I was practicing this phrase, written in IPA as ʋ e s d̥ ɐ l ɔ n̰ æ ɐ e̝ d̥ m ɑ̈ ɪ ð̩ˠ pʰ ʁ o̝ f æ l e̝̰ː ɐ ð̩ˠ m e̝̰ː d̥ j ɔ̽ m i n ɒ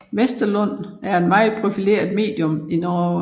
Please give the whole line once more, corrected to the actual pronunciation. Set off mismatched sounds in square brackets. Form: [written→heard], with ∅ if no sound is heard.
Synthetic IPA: ʋ e s d̥ ɐ l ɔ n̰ æ ɐ e̝ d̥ m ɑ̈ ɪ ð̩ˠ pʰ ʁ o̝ f [æ→i] l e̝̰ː ɐ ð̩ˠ m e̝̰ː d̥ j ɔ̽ m i n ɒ